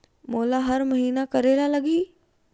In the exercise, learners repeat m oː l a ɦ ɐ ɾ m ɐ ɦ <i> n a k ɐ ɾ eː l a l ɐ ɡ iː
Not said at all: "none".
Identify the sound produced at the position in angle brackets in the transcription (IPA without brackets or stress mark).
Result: iː